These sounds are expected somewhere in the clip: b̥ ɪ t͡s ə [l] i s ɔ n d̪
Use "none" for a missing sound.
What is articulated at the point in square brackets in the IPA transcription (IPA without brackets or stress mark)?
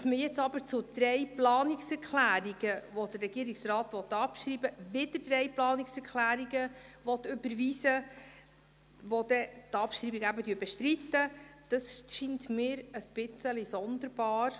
l